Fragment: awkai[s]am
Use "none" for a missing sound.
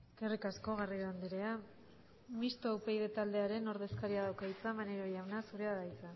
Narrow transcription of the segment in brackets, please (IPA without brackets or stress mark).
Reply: t͡s